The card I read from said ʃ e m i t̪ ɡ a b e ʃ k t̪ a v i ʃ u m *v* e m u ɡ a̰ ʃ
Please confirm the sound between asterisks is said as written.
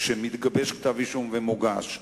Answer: yes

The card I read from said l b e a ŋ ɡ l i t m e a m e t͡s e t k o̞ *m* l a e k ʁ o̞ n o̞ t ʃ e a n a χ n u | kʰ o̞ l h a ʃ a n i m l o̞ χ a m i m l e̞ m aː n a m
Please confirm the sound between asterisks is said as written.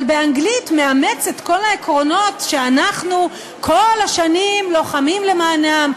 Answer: no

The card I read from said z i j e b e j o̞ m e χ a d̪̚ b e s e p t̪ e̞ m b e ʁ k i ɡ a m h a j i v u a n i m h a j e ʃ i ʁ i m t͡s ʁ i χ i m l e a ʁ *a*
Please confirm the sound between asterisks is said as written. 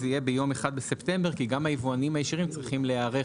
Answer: no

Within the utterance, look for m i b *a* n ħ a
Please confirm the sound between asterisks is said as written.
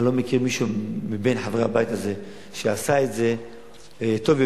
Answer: no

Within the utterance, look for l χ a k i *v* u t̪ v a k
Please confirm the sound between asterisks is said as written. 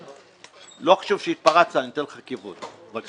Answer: yes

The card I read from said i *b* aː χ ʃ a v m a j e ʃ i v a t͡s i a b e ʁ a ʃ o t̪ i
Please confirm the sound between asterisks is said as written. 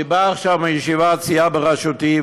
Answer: yes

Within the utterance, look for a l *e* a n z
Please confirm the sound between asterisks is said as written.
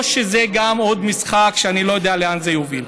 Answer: yes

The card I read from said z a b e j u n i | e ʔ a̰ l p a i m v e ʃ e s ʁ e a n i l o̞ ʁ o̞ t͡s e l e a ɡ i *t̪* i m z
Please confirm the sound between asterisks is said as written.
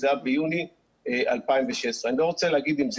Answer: no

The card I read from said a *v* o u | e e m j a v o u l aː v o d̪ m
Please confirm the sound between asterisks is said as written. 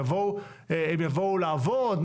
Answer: yes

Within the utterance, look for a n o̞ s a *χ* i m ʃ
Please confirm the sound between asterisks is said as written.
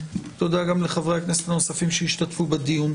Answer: no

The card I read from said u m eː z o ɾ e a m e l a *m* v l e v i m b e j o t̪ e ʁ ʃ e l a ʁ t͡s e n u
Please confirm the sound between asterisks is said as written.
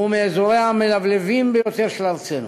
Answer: no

